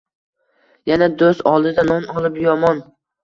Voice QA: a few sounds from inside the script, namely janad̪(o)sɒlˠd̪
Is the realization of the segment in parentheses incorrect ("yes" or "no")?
no